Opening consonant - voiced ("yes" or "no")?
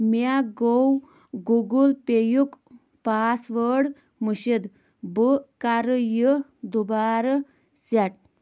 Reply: yes